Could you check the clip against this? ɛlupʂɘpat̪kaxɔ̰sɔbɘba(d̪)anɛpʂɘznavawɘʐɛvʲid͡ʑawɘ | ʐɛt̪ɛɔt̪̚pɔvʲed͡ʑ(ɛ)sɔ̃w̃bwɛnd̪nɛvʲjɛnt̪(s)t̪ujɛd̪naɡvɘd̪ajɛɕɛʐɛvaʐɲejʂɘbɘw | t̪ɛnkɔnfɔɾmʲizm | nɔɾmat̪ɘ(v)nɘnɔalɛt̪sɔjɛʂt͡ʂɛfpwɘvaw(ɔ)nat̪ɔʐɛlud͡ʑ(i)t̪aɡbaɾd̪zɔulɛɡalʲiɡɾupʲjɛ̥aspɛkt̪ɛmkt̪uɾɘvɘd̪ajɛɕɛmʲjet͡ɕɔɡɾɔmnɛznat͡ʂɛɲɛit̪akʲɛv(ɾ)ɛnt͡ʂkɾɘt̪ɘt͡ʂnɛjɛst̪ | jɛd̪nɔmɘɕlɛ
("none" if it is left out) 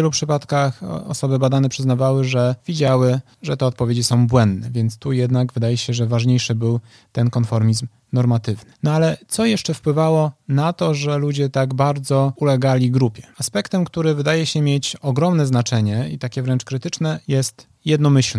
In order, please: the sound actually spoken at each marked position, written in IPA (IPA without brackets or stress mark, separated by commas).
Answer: d̪, i, s, v, ɔ, ɛ, ɾ